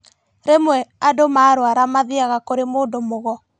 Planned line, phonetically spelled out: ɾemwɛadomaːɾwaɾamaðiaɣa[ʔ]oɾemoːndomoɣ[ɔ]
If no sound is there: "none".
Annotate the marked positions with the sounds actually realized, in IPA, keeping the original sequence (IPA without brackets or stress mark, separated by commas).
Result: k, ɔ